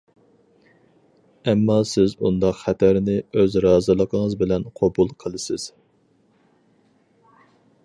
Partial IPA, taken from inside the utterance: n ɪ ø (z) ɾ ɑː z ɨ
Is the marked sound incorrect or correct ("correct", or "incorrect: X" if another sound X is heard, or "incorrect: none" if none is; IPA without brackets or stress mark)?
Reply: correct